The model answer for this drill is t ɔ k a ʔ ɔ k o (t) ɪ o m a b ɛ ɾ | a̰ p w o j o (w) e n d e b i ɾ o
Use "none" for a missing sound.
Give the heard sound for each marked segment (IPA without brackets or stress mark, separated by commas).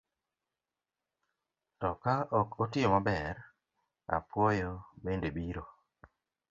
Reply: t, b